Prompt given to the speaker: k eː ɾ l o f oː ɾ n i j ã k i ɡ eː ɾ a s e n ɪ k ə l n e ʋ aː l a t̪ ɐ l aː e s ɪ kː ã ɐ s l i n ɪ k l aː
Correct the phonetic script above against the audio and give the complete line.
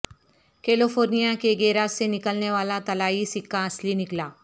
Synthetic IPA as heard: k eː l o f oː ɾ n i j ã k e ɡ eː ɾ a s e n ɪ k ə l n e ʋ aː l a t̪ ɐ l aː i s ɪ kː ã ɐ s l i n ɪ k l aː